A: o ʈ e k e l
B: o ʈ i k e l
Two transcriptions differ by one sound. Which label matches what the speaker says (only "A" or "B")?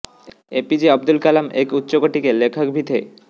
B